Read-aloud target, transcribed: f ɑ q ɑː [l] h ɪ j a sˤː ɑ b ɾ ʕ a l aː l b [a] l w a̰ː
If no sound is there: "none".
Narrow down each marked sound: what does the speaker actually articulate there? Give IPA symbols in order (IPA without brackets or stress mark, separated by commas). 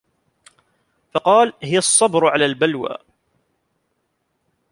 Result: l, a